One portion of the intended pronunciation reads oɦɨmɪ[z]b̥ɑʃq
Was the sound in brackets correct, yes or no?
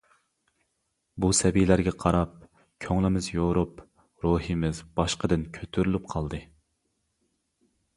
yes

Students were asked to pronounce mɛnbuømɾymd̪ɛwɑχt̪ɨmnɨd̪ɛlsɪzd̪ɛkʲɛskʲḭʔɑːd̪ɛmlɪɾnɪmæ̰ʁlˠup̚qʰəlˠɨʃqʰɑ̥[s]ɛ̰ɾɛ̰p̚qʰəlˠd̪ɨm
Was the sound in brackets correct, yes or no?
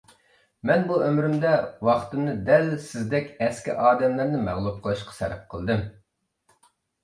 yes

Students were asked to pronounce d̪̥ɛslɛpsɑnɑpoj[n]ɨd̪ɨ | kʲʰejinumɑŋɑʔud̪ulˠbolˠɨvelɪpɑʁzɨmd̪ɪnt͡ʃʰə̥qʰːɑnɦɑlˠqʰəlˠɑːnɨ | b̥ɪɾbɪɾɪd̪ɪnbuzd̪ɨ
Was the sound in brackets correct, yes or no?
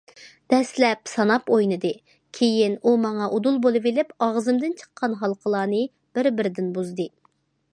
yes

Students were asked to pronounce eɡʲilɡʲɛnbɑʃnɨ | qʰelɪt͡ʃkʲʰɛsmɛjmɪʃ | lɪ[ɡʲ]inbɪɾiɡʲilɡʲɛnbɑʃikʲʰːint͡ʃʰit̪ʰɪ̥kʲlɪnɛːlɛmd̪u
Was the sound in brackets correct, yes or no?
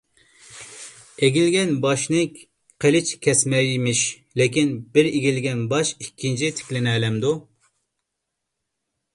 no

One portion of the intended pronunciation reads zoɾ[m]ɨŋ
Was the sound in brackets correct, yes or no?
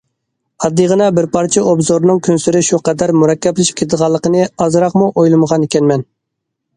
no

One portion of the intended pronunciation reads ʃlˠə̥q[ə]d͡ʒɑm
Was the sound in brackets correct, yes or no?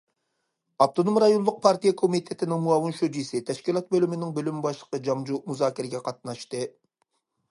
yes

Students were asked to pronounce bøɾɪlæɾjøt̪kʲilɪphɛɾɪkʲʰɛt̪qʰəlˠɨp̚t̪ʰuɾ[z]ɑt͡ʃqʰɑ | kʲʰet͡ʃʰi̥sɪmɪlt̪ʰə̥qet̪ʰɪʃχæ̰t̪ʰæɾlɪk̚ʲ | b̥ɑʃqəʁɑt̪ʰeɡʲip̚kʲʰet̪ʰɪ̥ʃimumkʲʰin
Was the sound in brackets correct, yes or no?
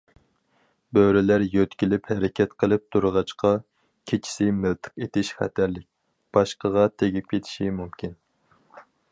no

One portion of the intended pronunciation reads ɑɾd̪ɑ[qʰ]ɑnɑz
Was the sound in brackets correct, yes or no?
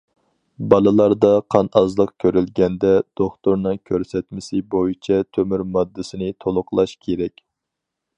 yes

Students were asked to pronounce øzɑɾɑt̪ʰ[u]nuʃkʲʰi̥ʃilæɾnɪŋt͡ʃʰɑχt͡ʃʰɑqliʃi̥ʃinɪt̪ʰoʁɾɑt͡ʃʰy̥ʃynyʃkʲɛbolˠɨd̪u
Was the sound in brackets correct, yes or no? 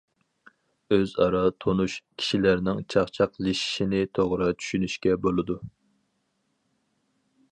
no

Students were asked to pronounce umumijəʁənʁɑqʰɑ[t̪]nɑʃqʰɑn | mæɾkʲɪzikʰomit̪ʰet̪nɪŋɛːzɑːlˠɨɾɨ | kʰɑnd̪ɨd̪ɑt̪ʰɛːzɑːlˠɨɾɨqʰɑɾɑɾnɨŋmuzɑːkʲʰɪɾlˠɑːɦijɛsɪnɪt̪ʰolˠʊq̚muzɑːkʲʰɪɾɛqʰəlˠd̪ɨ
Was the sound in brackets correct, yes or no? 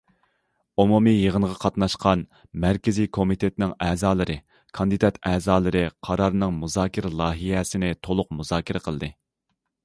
yes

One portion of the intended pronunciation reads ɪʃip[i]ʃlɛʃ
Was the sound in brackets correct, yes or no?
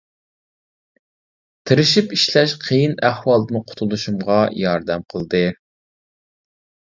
yes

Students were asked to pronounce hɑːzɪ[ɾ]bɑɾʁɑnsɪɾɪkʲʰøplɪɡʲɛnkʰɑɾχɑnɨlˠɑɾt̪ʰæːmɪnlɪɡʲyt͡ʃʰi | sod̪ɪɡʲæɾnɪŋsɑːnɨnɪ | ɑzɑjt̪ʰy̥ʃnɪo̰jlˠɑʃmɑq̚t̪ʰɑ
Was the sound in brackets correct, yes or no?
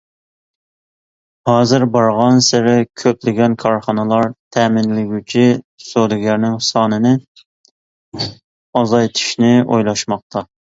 yes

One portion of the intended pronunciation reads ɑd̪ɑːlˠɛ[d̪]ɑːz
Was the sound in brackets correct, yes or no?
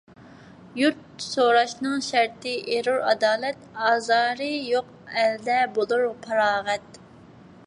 no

